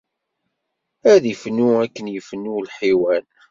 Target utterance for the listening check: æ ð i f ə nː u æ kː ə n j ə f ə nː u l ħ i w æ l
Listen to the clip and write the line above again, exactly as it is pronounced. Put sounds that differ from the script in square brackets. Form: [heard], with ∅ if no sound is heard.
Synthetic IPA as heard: æ ð i f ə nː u æ kː ə n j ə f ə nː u l ħ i w æ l